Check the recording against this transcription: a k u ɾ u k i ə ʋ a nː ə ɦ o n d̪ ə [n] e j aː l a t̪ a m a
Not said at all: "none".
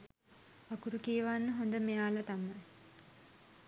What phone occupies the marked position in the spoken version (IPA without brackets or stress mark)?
m